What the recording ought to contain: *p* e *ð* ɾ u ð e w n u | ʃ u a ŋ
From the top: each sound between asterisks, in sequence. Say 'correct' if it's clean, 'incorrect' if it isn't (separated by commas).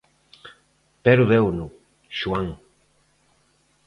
correct, incorrect